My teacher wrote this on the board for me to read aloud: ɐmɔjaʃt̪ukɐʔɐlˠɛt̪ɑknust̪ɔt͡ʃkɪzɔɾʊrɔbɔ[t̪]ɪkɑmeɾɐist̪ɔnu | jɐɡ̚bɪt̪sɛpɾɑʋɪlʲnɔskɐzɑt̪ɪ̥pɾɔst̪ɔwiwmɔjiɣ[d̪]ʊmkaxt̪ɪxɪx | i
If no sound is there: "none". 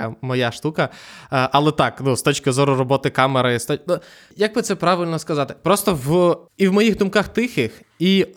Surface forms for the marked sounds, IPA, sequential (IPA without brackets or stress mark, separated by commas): t̪, d̪